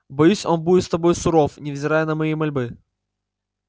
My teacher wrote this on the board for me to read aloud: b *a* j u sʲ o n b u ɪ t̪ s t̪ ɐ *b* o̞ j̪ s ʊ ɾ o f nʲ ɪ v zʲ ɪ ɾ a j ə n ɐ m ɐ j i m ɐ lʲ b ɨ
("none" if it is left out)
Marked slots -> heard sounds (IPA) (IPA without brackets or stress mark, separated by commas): ɐ, b